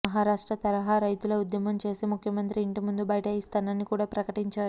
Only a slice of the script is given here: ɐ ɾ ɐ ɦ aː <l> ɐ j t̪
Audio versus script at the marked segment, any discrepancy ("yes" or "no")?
yes